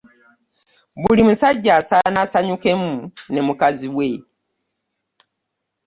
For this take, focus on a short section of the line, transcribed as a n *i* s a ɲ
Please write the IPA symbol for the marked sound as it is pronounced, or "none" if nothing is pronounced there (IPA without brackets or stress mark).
a